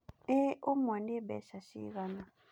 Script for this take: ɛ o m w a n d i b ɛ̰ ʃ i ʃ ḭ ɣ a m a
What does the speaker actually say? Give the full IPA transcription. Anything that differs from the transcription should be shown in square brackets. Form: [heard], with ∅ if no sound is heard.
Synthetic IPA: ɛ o m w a n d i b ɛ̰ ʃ [a] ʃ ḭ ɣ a [n] a